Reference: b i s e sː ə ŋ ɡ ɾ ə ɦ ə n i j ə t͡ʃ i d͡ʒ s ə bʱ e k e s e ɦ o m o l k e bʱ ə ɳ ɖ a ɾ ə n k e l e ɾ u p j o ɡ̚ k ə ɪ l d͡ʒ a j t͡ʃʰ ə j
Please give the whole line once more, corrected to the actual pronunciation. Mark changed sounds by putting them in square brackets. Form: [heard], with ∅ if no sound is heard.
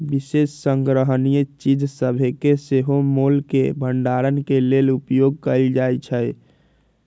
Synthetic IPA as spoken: b i s e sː ə ŋ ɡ ɾ ə ɦ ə n i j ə t͡ʃ i d͡ʒ s ə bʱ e k e s e ɦ o m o l k e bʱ ə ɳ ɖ a ɾ ə n k e l e [l] u p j o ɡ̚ k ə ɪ l d͡ʒ a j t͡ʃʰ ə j

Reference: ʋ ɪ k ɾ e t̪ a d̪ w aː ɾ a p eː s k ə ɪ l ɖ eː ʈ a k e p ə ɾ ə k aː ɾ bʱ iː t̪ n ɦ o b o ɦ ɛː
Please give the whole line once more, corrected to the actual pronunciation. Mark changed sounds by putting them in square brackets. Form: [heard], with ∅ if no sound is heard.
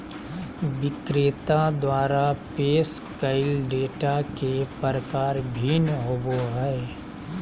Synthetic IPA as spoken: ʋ ɪ k ɾ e t̪ a d̪ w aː ɾ a p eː s k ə ɪ l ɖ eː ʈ a k e p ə ɾ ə k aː ɾ bʱ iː [∅] n ɦ o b o ɦ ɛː

